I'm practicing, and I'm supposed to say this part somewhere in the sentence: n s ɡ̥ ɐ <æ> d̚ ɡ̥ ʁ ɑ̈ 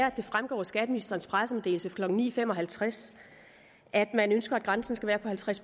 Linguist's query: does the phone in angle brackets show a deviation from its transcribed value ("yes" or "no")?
no